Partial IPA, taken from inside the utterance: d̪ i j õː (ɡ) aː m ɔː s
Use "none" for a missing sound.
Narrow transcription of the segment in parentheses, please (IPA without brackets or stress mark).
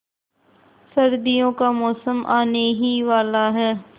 k